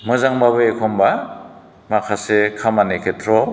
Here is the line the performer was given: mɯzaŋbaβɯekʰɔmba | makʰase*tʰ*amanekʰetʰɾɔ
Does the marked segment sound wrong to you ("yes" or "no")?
yes